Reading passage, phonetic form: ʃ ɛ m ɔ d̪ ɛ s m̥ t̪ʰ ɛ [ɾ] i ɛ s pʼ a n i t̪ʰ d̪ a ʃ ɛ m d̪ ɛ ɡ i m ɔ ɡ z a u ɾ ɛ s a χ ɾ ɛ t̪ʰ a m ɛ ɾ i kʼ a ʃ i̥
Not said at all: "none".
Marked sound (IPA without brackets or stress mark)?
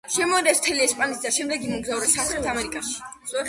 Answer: l